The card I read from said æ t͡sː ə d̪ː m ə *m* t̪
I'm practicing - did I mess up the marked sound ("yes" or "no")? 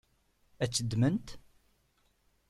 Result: yes